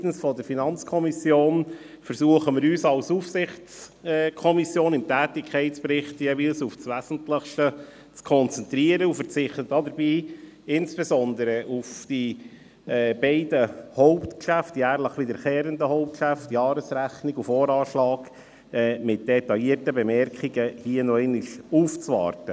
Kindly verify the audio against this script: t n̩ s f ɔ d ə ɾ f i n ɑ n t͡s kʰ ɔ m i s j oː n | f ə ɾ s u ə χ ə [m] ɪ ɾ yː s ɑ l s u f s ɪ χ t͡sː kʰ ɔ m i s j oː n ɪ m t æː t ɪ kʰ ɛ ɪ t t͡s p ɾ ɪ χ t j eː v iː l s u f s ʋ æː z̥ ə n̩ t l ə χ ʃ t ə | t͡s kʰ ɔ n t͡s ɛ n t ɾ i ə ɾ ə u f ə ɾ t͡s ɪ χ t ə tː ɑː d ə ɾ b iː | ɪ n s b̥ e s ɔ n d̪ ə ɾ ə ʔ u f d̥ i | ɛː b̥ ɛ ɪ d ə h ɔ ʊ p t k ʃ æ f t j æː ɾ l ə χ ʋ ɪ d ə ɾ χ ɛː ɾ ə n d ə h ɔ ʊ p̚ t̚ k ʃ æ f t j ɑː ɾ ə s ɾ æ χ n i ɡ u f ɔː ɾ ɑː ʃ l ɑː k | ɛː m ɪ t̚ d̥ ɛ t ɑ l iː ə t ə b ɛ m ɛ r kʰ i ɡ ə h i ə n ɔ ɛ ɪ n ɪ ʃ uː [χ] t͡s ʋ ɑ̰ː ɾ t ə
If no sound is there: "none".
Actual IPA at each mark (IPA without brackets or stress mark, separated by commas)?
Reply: m, f